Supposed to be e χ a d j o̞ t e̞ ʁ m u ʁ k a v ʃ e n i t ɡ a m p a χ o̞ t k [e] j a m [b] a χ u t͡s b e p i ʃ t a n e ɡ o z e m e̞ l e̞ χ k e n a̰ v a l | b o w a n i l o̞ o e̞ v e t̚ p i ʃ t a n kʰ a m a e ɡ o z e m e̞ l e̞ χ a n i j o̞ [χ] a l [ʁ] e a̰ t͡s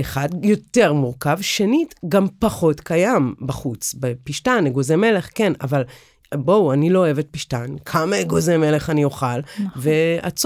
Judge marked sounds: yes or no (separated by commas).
no, yes, yes, no